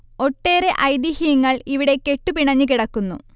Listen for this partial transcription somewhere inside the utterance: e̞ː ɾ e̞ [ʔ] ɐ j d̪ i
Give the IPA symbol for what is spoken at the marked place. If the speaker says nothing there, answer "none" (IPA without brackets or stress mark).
ʔ